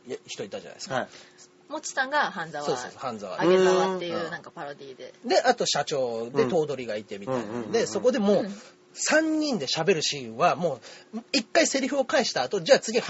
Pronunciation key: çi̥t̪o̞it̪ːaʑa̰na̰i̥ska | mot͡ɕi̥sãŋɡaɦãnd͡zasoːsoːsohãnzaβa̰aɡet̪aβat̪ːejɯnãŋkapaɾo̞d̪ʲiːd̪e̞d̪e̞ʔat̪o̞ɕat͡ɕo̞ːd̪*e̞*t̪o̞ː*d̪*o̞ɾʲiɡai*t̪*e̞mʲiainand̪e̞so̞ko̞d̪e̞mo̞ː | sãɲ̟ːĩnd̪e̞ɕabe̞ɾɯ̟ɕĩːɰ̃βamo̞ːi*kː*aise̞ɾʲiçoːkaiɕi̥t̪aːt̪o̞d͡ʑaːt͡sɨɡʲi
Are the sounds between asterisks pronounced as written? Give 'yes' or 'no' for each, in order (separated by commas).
yes, yes, yes, yes